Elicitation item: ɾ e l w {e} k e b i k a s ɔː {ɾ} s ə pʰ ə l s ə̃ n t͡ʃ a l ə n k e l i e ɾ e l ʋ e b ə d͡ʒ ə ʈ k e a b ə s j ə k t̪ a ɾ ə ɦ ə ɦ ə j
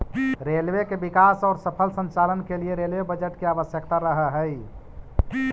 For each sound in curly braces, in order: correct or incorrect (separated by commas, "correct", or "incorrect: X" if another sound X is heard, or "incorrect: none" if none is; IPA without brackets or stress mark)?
correct, correct